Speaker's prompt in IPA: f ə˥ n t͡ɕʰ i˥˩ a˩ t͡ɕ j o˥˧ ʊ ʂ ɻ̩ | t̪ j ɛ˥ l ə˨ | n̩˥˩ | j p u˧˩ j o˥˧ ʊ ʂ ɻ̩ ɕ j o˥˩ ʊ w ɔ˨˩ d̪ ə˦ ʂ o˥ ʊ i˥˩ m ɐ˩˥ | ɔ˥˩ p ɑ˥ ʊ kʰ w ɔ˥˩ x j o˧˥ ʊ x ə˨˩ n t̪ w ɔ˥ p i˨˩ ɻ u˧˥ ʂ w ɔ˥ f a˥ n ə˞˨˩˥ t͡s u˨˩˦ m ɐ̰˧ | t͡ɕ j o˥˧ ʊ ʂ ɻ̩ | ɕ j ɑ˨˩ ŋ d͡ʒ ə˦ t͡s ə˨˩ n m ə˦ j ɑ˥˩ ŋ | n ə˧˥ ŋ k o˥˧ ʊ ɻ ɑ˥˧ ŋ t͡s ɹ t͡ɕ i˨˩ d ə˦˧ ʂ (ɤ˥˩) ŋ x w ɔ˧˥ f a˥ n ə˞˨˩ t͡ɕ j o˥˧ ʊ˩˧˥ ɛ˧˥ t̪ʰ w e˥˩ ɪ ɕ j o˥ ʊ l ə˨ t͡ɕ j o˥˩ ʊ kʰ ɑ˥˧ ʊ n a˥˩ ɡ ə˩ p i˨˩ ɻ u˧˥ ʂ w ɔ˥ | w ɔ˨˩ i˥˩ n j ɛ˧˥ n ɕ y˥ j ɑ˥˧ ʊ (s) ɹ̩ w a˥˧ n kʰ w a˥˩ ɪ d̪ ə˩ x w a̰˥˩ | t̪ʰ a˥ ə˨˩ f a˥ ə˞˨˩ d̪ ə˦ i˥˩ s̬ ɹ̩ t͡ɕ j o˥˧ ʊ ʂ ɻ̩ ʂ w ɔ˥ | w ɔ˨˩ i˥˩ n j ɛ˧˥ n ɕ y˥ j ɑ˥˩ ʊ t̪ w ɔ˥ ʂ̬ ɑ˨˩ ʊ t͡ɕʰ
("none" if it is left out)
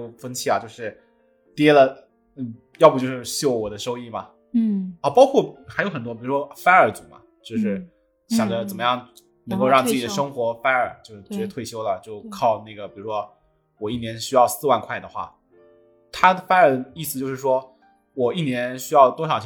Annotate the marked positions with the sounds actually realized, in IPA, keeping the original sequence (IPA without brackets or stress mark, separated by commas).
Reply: ɤ˥, s